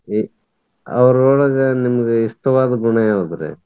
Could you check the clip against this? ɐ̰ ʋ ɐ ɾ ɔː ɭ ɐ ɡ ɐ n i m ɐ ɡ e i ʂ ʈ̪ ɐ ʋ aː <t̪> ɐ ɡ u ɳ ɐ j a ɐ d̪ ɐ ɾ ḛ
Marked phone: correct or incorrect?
incorrect